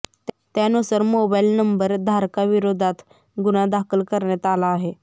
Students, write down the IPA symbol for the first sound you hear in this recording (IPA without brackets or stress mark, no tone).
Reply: t̪